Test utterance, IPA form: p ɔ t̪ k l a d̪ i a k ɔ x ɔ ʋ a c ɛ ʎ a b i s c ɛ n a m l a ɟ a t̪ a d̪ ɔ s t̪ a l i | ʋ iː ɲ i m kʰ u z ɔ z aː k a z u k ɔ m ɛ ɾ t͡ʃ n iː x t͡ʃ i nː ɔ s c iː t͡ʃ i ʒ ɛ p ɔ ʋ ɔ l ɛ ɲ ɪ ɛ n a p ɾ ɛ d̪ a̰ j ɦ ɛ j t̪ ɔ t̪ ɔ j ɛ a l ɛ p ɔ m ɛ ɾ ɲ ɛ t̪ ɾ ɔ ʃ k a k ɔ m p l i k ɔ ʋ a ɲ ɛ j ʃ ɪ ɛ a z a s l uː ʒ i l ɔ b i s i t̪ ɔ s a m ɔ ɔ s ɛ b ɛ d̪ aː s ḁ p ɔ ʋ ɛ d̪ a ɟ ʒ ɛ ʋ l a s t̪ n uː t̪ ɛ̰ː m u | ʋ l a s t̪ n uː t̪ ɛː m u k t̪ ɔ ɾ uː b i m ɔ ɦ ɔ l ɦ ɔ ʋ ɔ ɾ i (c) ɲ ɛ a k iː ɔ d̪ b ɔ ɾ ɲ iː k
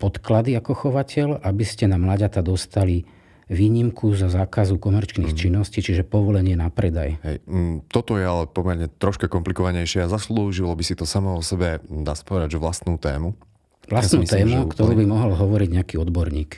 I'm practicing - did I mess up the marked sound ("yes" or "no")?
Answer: yes